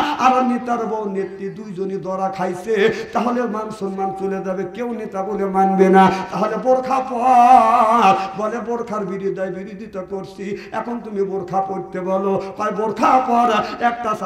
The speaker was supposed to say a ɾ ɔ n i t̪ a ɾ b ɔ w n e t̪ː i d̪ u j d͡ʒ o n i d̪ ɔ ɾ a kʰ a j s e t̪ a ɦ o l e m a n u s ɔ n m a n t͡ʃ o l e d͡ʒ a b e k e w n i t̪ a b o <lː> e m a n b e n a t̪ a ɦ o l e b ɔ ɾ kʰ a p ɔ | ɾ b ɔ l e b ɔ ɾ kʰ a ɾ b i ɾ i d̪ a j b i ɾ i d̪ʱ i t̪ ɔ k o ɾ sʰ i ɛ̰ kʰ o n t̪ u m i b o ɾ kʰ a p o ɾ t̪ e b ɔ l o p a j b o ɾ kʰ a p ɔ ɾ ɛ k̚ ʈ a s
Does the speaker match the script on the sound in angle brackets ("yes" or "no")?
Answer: no